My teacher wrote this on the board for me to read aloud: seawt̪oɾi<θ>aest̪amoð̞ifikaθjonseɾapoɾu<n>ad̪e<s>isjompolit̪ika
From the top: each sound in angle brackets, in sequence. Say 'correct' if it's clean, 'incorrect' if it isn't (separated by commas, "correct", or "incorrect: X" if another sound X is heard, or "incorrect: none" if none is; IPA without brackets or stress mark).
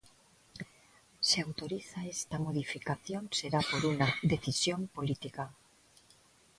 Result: correct, correct, incorrect: θ